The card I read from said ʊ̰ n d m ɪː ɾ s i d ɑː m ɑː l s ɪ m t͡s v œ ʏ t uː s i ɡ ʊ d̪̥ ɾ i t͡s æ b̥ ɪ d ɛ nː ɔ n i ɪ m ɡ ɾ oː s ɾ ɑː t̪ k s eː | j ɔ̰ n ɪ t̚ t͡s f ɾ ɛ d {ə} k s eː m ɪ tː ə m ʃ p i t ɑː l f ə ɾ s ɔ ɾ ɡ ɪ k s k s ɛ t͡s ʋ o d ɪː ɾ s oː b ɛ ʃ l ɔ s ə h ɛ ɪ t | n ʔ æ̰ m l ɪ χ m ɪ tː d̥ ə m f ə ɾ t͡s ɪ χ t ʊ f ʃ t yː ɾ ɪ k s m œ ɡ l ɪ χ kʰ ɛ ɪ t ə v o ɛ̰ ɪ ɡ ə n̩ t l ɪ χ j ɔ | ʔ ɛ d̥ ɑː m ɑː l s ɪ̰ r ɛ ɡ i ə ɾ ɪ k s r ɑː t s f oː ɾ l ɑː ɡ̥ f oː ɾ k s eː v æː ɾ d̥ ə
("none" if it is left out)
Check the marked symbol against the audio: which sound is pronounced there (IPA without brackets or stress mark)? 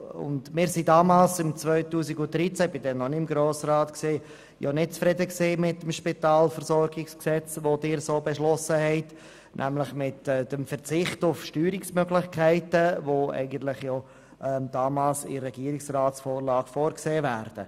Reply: ə